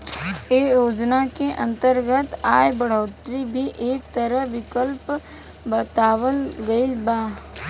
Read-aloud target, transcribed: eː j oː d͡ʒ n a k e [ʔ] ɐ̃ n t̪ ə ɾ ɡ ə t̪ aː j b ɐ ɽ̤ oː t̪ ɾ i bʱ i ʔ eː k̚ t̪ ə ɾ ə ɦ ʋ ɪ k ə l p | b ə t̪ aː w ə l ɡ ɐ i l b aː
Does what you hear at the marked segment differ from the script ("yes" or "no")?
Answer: no